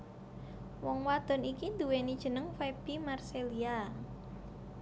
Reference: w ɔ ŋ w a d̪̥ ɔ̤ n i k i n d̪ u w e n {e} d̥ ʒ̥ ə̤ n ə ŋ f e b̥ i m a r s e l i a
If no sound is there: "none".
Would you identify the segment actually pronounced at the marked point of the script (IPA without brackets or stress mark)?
i